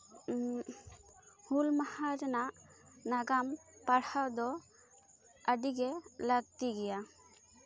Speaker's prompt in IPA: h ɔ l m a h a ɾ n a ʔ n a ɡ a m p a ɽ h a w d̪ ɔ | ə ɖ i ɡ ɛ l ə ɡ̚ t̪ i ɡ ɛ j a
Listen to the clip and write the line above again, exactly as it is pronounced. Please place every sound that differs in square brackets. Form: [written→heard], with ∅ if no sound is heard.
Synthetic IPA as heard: h [ɔ→u] l m a h a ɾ n a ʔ n a ɡ a m p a ɽ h a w d̪ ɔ | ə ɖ i ɡ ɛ l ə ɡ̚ t̪ i ɡ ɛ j a